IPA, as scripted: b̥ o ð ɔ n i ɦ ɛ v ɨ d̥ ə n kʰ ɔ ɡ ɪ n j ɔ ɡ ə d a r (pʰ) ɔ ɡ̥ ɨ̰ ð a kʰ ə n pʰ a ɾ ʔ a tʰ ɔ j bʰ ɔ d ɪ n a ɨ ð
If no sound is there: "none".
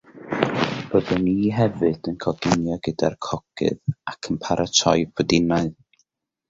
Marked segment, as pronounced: kʰ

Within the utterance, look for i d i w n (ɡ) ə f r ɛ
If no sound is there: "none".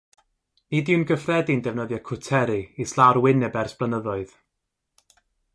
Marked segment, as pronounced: ɡ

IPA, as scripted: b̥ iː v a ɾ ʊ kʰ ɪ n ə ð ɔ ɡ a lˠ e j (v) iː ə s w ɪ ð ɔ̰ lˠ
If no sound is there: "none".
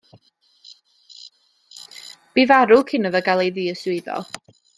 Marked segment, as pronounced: ð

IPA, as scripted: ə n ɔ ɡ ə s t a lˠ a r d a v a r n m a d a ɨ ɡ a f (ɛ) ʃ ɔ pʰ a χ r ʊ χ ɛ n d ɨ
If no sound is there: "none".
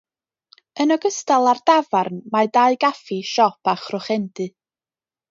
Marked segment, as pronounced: i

